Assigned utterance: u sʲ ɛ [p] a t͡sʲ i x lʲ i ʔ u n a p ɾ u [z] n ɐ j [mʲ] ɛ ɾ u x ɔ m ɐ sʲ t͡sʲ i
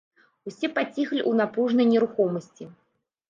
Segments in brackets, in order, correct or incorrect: correct, incorrect, incorrect

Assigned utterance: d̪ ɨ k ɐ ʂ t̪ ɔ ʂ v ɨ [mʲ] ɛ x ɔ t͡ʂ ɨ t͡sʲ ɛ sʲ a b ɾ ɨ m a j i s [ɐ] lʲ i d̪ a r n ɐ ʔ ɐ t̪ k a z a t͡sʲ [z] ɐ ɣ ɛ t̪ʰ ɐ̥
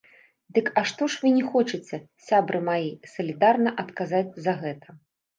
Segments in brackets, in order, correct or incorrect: incorrect, correct, correct

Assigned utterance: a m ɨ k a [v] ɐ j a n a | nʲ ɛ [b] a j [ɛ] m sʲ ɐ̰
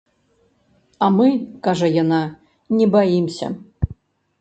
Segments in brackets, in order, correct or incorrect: incorrect, correct, incorrect

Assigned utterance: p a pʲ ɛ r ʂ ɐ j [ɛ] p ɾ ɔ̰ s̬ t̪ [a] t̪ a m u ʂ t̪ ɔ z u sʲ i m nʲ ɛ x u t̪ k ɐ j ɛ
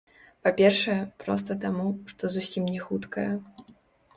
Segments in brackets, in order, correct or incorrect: correct, incorrect

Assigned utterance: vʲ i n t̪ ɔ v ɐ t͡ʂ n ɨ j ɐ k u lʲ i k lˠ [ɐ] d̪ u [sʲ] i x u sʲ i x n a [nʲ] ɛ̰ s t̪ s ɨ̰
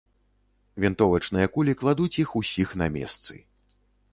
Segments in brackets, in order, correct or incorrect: incorrect, incorrect, incorrect

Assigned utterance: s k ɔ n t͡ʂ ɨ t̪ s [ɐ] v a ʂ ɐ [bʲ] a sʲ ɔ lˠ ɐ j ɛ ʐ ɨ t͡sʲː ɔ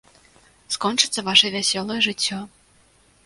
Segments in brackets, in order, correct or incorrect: correct, incorrect

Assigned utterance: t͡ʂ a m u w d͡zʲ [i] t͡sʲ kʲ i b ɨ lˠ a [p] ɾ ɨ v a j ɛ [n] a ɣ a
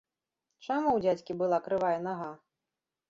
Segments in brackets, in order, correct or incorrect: incorrect, incorrect, correct

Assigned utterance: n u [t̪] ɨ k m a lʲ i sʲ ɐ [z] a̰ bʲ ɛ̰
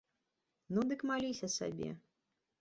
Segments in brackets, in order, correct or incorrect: incorrect, incorrect

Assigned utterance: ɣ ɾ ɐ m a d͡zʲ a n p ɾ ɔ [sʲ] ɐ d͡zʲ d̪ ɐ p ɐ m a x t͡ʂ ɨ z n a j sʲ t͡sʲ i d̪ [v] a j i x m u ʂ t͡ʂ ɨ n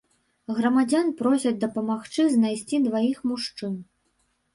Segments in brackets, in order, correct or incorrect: correct, correct

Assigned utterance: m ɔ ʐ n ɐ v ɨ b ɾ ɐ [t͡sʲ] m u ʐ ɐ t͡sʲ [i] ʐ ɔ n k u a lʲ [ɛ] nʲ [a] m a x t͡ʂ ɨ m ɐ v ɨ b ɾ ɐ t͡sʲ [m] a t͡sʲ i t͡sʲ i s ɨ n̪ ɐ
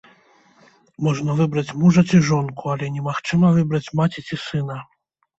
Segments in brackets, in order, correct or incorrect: correct, correct, correct, incorrect, correct

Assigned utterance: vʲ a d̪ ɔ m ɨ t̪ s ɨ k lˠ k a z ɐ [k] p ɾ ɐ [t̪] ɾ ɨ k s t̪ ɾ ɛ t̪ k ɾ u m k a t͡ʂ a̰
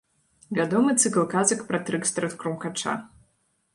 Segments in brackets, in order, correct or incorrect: correct, correct

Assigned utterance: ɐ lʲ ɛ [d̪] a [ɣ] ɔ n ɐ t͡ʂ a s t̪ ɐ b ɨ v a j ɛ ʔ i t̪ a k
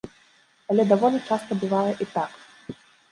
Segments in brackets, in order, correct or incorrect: correct, incorrect

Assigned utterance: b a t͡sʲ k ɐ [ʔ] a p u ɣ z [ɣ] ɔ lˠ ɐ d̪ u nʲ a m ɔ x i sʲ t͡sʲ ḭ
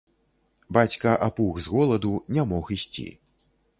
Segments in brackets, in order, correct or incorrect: correct, correct

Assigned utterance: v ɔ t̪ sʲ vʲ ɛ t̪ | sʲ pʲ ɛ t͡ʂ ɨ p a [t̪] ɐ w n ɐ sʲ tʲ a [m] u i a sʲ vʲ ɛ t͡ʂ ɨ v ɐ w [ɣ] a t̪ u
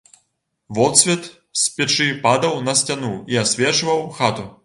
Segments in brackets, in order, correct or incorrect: incorrect, incorrect, incorrect

